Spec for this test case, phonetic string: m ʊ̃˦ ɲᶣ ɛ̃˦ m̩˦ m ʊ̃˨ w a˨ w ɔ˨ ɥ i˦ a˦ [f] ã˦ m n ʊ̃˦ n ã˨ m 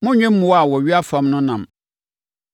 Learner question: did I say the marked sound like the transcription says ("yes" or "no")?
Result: yes